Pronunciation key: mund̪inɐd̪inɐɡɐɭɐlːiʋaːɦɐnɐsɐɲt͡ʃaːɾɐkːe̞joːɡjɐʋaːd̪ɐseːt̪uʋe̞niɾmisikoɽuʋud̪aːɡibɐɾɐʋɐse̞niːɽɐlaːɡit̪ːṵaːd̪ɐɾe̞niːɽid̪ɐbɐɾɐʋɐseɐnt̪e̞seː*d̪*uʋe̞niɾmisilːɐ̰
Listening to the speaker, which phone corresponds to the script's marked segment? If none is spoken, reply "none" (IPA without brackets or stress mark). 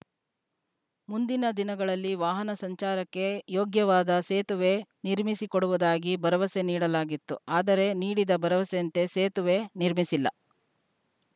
t̪